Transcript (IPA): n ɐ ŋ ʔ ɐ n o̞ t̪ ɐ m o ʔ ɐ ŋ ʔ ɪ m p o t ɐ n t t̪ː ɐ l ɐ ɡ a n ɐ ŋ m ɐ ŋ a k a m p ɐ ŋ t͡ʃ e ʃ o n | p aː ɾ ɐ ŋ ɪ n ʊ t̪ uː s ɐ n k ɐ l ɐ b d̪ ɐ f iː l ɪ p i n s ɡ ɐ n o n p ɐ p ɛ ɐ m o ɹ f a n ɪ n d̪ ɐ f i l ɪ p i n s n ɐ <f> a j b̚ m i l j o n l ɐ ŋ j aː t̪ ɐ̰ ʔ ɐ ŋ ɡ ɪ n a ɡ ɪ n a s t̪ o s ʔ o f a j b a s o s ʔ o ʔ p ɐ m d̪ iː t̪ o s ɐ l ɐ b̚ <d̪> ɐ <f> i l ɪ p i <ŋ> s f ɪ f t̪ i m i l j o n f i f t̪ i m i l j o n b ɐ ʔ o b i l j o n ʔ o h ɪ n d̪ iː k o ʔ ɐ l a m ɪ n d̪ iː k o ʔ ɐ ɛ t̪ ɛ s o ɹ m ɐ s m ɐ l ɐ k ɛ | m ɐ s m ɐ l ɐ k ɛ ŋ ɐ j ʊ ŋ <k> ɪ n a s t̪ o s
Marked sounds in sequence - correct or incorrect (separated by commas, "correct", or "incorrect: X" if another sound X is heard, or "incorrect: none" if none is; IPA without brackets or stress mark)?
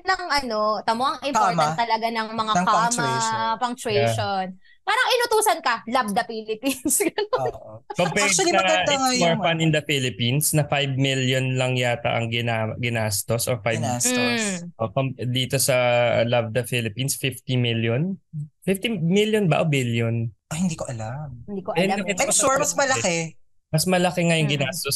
correct, correct, correct, incorrect: n, incorrect: ɡ